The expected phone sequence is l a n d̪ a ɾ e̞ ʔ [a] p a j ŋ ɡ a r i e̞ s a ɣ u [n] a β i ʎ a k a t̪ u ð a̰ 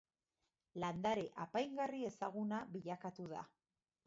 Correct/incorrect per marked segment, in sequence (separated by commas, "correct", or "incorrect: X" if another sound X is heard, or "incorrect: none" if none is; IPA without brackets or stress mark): correct, correct